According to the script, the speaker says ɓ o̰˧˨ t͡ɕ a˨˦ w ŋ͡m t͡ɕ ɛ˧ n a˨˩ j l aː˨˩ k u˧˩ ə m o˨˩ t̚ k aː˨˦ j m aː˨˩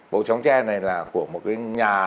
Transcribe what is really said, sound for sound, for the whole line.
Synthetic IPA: ɓ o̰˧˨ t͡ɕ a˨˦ w ŋ͡m t͡ɕ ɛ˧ n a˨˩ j l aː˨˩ k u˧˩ ə m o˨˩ t̚ k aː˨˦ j ɲ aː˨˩